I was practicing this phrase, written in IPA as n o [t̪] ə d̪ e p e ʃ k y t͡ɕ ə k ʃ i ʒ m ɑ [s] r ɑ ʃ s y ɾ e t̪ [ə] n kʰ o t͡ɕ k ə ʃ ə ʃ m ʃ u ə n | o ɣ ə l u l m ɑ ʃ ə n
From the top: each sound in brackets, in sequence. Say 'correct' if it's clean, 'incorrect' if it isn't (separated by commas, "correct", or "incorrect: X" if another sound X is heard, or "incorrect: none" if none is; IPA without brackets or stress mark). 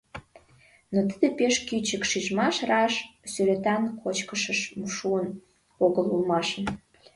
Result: correct, incorrect: ʃ, incorrect: ɑ